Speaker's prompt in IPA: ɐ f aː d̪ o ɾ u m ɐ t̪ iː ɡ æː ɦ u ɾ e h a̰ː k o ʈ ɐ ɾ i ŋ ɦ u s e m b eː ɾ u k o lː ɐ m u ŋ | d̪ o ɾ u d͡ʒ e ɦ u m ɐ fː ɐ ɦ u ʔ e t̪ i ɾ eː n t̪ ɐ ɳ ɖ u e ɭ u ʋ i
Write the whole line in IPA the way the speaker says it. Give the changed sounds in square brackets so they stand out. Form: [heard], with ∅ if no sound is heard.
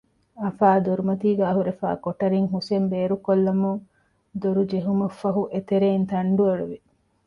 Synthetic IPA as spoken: ɐ f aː d̪ o ɾ u m ɐ t̪ iː ɡ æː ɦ u ɾ e [f] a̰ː k o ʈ ɐ ɾ i ŋ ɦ u s e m b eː ɾ u k o lː ɐ m u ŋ | d̪ o ɾ u d͡ʒ e ɦ u m ɐ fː ɐ ɦ u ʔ e t̪ [e] ɾ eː n t̪ ɐ ɳ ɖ u e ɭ u ʋ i